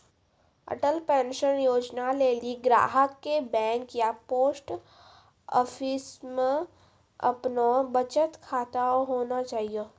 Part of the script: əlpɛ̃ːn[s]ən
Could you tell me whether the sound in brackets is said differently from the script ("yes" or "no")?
yes